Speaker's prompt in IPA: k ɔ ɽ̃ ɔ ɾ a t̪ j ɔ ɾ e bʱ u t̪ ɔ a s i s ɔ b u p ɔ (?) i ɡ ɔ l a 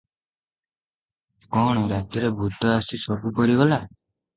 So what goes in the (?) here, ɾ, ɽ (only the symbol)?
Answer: ɾ